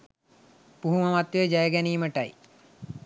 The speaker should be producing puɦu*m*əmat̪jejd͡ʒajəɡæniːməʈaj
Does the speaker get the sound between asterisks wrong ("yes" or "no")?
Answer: no